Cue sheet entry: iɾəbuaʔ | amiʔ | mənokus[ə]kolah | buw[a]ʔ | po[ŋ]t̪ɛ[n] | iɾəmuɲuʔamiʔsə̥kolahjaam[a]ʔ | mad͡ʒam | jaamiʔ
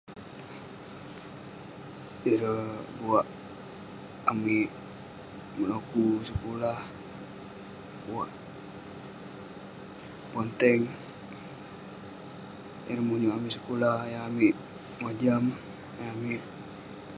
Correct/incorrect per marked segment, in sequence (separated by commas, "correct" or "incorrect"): correct, correct, incorrect, incorrect, incorrect